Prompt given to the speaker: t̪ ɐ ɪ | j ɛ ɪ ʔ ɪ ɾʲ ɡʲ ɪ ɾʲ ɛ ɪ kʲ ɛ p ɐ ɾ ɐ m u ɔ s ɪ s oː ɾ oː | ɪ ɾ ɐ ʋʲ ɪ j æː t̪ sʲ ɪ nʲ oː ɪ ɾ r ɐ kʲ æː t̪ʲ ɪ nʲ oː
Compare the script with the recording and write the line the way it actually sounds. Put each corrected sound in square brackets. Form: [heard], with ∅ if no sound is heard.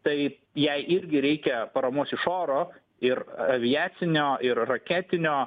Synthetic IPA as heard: t̪ ɐ ɪ | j ɛ ɪ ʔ ɪ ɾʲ ɡʲ ɪ ɾʲ ɛ ɪ kʲ ɛ p ɐ ɾ ɐ m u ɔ s ɪ [ʃ] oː ɾ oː | ɪ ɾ ɐ ʋʲ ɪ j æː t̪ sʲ ɪ nʲ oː ɪ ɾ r ɐ kʲ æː t̪ʲ ɪ nʲ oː